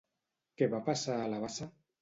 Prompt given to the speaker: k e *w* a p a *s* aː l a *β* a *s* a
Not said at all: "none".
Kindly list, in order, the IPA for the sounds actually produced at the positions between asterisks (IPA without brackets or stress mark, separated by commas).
β, s, β, s